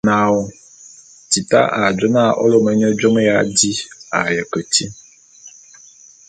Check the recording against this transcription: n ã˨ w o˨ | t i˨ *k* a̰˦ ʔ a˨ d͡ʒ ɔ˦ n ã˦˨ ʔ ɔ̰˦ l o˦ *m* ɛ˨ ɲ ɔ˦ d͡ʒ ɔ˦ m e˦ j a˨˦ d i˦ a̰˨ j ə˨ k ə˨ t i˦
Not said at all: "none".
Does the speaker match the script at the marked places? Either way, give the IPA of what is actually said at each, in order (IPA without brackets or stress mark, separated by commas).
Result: t, m